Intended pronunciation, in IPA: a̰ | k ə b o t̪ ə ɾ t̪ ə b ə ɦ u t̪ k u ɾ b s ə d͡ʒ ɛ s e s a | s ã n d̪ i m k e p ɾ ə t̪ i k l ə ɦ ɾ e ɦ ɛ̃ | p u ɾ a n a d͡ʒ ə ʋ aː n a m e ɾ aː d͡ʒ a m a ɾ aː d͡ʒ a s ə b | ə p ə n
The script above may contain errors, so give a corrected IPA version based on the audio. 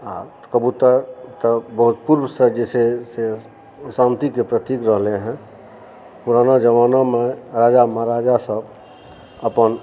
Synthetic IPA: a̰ | k ə b u t̪ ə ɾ t̪ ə b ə ɦ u t̪ p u ɾ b s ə d͡ʒ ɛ s e s e | s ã n t̪ i k e p ɾ ə t̪ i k ɾ ə ɦ l e ɦ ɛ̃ | p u ɾ a n a d͡ʒ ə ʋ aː n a m e ɾ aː d͡ʒ a m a ɾ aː d͡ʒ a s ə b | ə p ə n